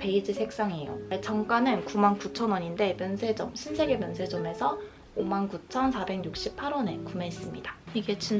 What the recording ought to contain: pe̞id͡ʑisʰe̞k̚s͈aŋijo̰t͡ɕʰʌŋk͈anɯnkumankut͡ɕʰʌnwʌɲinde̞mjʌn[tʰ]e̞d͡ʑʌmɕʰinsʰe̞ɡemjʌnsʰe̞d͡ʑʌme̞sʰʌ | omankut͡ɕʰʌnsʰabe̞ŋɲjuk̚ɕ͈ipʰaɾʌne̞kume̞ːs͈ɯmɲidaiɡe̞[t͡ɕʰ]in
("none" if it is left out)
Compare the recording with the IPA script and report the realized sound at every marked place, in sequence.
sʰ, t͡ɕ

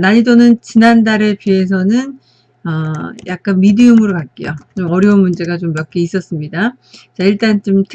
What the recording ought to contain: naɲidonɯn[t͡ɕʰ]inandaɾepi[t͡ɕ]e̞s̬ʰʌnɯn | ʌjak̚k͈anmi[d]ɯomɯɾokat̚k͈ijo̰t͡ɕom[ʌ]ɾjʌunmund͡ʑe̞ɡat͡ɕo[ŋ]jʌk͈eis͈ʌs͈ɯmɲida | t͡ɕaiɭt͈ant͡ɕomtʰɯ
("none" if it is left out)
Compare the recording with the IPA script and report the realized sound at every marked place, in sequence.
t͡ɕ, none, d, ʌ, m

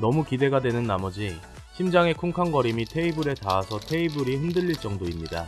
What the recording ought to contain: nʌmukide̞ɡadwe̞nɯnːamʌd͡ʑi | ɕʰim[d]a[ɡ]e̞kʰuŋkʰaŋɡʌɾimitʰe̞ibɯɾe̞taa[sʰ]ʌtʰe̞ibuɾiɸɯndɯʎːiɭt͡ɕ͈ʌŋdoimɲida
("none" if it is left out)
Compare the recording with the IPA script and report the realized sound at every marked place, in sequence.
d͡ʑ, ŋ, sʰ

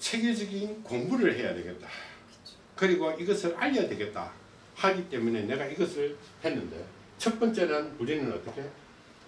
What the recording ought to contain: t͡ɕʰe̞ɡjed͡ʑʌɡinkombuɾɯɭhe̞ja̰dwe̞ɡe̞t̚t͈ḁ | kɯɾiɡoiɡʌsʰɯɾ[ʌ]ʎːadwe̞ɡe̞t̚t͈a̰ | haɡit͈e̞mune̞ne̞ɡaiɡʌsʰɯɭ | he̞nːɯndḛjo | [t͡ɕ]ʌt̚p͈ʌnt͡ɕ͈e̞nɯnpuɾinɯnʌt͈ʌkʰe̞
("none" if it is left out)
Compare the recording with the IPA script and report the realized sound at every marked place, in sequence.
a, t͡ɕʰ

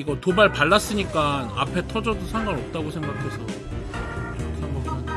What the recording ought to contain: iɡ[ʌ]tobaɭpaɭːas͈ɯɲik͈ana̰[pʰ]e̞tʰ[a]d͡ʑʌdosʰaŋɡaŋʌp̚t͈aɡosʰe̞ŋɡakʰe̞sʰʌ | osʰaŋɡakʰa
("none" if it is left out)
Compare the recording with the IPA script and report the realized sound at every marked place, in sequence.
ʌ, pʰ, ʌ

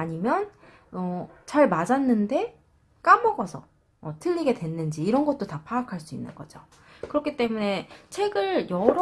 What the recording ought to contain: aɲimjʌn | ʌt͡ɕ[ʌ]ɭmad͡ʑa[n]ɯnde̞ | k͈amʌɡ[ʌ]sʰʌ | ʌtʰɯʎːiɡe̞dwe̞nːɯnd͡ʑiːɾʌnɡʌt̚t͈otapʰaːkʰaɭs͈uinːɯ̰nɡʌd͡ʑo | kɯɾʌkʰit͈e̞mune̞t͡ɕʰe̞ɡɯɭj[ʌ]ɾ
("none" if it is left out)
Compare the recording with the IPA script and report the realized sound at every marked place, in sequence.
a, nː, ʌ, ʌ

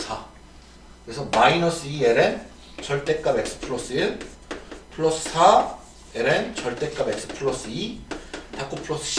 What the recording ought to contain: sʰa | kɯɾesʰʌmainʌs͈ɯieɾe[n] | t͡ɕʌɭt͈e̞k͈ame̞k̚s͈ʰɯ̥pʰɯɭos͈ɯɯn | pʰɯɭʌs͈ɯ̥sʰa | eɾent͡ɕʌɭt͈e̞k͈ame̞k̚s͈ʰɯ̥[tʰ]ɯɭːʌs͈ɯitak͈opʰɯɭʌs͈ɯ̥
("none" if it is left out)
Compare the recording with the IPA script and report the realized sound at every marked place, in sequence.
n, pʰ

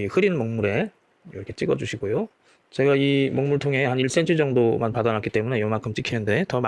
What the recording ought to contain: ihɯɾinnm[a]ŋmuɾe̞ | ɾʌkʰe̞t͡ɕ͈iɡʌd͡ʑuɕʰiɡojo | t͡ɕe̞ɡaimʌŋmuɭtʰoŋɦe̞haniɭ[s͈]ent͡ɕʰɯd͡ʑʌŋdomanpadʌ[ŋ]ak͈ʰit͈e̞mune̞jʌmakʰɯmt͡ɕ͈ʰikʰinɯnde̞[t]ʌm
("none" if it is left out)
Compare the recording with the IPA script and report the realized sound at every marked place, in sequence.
ʌ, s͈, n, t

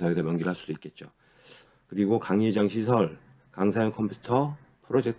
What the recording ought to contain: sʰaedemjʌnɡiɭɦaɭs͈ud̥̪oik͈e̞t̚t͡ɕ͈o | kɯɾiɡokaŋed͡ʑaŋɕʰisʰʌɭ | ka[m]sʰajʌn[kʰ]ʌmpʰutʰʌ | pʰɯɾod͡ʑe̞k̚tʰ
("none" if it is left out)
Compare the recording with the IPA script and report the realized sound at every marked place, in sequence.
ŋ, kʰ

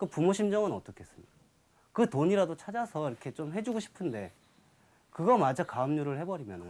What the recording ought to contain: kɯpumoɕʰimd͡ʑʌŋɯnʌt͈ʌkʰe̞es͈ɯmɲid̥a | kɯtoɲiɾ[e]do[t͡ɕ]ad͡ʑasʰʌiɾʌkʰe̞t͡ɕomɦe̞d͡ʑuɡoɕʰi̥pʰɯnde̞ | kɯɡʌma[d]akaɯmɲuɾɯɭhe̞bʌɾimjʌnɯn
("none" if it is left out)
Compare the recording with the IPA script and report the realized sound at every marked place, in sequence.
a, t͡ɕʰ, d͡ʑ

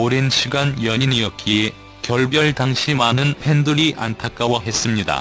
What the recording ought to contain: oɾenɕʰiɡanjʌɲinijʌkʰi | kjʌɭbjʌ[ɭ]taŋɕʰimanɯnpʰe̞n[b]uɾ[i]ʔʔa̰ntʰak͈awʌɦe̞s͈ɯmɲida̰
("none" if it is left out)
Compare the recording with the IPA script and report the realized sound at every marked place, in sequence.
ɭ, d, i

